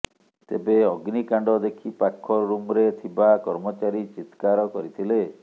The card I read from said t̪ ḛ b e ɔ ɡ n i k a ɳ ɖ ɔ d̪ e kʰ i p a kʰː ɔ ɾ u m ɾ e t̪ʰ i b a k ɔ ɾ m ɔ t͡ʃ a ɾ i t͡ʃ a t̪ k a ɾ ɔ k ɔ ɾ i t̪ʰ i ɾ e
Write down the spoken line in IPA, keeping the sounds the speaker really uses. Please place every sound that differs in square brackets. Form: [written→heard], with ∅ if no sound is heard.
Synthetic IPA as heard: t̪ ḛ b e ɔ ɡ n i k a ɳ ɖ ɔ d̪ e kʰ i p a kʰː ɔ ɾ u m ɾ e t̪ʰ i b a k ɔ ɾ m ɔ t͡ʃ a ɾ i t͡ʃ [a→i] t̪ k a ɾ ɔ k ɔ ɾ i t̪ʰ i [ɾ→l] e